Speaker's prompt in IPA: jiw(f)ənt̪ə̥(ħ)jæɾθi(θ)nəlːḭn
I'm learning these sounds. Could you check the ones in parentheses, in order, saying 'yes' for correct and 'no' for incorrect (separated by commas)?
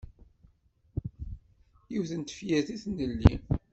no, no, yes